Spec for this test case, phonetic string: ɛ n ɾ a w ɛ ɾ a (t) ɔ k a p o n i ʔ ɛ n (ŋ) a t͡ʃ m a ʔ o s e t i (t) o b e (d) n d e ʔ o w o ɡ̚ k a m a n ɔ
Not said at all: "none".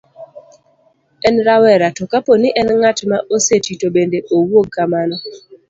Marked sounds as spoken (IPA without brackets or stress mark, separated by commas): t, ŋ, t, none